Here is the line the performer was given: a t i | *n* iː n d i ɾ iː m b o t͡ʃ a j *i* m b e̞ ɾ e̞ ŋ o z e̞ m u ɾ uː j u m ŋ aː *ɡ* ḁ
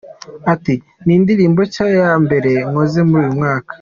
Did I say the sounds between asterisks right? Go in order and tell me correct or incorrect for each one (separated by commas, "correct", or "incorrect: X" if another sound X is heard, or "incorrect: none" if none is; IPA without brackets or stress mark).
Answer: correct, incorrect: a, incorrect: k